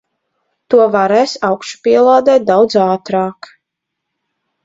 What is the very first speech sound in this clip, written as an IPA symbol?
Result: t̪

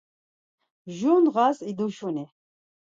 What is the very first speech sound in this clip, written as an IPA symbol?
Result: ʒ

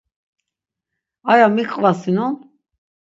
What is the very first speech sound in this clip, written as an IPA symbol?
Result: a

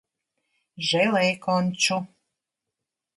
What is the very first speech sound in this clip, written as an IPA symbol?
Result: ʒ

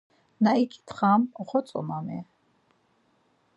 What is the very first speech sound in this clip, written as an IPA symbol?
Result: n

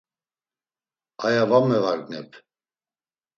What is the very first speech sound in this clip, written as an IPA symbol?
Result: a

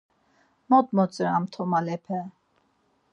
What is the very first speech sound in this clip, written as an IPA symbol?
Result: m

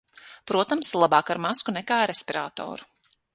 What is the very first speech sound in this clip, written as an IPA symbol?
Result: p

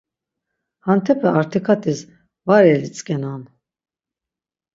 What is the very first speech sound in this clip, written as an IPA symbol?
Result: h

